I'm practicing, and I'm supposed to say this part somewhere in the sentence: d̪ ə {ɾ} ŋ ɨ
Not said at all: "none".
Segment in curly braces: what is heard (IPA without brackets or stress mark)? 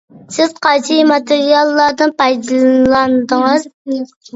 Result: none